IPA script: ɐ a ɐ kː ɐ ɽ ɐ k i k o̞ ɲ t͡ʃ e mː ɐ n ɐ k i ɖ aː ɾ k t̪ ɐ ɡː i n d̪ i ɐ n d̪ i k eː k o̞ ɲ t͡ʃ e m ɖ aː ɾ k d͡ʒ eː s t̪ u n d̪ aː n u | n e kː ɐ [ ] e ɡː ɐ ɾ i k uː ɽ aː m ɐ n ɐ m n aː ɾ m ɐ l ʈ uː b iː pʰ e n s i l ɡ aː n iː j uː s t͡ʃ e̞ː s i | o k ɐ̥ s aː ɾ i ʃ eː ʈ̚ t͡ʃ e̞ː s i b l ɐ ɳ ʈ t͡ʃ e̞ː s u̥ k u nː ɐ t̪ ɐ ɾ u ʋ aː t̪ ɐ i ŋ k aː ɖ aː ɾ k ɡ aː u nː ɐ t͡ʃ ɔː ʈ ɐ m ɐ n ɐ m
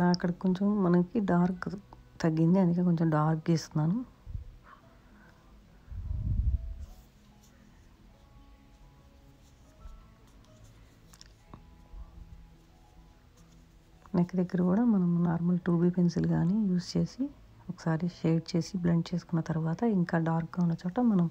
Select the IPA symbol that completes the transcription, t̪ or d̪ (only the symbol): d̪